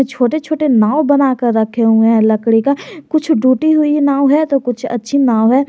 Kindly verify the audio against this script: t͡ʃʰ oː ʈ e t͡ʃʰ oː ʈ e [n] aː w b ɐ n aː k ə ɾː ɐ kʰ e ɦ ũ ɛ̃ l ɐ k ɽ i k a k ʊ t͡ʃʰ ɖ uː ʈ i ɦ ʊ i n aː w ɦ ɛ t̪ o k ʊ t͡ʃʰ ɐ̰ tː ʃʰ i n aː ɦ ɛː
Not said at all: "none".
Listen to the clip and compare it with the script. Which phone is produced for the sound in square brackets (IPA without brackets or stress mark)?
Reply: n